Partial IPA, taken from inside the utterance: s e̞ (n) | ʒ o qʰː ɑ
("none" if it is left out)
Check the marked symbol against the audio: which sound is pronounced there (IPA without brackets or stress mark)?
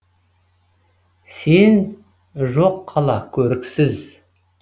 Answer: n